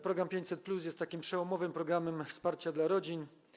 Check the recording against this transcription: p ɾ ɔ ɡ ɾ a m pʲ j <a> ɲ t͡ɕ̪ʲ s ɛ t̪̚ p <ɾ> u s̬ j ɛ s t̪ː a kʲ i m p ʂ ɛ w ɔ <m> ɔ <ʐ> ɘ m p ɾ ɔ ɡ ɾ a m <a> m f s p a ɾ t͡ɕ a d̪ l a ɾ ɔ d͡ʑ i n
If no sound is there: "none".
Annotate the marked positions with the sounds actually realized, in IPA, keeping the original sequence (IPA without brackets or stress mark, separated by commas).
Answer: e, l, m, v, ɛ